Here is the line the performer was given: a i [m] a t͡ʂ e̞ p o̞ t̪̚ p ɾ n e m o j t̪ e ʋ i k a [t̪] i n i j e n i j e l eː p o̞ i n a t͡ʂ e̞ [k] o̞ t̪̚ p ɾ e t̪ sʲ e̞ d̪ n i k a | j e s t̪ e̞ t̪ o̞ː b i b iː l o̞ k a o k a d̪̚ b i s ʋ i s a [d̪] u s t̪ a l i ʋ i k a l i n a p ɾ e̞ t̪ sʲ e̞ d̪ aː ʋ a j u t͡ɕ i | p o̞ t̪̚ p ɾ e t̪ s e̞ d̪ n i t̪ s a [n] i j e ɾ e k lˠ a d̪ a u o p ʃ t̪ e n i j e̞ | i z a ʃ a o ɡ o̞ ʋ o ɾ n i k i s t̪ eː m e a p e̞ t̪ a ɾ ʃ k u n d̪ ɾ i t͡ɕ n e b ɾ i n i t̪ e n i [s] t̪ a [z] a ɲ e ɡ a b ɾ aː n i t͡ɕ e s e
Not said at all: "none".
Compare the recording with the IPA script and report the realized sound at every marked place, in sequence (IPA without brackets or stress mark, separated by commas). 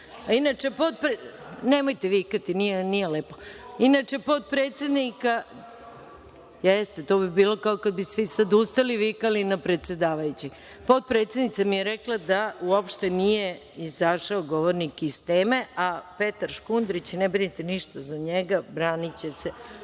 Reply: n, t̪, p, d̪, m, ʃ, z